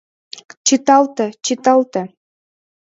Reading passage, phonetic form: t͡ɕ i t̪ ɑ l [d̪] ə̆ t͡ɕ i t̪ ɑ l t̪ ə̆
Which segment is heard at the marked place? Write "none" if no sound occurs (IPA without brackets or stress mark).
t̪